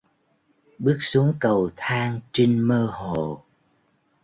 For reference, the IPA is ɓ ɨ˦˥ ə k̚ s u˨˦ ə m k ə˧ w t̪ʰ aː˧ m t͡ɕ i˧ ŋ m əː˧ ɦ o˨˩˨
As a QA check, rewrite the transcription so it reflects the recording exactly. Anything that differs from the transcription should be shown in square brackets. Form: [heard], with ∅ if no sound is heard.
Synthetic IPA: ɓ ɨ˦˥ ə k̚ s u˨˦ ə [ŋ] k [ə˨˩] w t̪ʰ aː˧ [ŋ] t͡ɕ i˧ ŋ m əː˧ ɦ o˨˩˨